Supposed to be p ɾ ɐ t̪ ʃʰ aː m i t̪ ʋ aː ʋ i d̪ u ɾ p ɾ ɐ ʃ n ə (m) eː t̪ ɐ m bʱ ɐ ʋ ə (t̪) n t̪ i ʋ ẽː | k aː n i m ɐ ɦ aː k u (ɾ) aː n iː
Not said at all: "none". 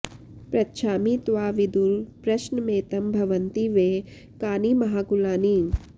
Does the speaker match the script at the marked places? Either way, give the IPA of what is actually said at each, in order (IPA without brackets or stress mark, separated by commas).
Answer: m, none, l